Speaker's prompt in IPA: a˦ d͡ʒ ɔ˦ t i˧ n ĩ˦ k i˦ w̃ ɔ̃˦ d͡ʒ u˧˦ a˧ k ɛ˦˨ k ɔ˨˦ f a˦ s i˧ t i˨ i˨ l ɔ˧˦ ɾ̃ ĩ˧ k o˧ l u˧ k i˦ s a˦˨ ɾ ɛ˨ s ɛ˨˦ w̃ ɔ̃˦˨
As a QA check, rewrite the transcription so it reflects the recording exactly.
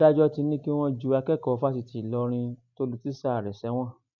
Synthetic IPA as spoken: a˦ d͡ʒ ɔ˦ t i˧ n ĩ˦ k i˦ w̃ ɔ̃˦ d͡ʒ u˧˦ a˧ k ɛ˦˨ k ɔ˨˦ f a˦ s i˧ t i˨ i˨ l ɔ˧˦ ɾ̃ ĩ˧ t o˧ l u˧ t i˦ s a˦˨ ɾ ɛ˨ s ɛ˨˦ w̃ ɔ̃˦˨